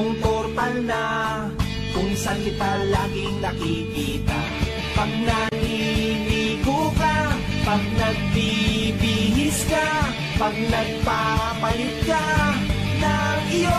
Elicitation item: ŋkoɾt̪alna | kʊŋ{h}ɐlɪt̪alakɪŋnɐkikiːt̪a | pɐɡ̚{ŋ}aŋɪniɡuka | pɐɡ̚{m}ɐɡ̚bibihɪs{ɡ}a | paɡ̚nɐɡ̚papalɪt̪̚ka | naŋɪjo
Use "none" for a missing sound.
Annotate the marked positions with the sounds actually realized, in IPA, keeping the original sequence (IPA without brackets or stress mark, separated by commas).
s, n, n, k